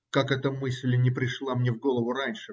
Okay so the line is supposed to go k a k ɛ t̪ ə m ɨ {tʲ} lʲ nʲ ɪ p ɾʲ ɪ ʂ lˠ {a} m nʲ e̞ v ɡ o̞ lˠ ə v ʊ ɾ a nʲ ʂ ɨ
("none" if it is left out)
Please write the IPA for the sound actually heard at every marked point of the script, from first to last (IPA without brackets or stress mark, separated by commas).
sʲ, a